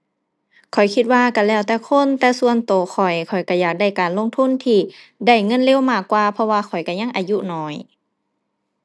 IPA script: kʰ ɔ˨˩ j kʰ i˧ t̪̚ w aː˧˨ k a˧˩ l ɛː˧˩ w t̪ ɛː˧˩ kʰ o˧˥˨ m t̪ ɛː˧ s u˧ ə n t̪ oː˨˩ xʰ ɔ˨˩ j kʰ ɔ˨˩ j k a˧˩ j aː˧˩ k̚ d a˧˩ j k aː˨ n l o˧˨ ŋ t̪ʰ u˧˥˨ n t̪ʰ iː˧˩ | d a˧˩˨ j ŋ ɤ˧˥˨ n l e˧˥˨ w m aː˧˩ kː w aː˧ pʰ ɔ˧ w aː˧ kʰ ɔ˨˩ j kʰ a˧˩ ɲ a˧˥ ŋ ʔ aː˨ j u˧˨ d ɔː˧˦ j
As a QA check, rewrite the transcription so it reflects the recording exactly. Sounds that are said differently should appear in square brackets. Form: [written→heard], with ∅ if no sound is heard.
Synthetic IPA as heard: kʰ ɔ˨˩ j kʰ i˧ t̪̚ w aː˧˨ k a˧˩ l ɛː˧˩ w t̪ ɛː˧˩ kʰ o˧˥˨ [m→n] t̪ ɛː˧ s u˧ ə n t̪ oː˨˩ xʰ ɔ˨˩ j kʰ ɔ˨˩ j k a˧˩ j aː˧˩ k̚ d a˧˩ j k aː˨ n l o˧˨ ŋ t̪ʰ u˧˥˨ n t̪ʰ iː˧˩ | d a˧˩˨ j ŋ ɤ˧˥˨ n l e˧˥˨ w m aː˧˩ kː w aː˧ pʰ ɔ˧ w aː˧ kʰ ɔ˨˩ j [kʰ→k] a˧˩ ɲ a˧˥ ŋ ʔ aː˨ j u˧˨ [d→n] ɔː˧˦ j